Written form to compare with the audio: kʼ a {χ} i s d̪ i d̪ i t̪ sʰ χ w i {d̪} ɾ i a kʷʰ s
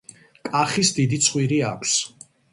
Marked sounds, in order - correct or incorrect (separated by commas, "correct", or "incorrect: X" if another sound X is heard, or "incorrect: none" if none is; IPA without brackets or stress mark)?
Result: correct, incorrect: none